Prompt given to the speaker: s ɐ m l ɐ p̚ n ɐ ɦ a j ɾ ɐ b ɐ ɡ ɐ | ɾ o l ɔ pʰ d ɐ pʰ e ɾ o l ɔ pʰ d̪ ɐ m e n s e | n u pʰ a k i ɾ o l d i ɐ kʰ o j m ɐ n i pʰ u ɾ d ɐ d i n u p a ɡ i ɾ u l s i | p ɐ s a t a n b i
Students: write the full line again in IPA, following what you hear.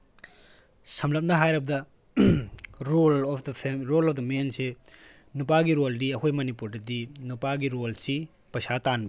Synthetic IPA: s ɐ m l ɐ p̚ n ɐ ɦ a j ɾ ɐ b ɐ d ɐ | ɾ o l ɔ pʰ d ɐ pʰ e ɾ o l ɔ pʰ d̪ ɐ m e n s e | n u p a ɡ i ɾ o l d i ɐ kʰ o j m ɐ n i p u ɾ d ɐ d i n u p a ɡ i ɾ o l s i | p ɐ s a t a n b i

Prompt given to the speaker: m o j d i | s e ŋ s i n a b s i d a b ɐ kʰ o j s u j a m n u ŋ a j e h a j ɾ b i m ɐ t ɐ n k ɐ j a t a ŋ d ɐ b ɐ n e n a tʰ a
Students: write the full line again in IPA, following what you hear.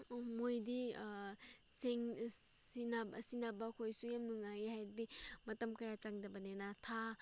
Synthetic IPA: m o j d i | s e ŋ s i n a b s i n a b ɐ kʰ o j s u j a m n u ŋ a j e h a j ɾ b i m ɐ t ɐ m k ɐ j a t͡ʃ a ŋ d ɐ b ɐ n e n a tʰ a

